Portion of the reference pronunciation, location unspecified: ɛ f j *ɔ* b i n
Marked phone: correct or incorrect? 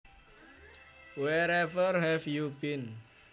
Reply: incorrect